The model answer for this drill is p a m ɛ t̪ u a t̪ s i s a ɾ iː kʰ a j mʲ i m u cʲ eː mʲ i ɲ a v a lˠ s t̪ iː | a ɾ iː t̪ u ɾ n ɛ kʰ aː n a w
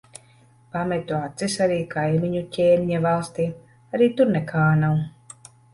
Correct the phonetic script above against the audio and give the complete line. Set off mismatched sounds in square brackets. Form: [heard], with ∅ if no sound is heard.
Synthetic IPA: p a m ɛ t̪ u a t̪ s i s a ɾ iː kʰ a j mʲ i [ɲ] u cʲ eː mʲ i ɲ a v a lˠ s t̪ iː | a ɾ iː t̪ u ɾ n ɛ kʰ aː n a w